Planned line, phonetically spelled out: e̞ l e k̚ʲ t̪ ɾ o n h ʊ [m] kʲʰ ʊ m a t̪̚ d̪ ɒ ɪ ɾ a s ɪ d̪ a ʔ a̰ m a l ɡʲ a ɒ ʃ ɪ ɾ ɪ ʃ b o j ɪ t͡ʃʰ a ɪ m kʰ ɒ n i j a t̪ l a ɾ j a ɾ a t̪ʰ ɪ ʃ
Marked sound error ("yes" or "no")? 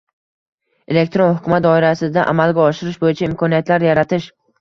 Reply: yes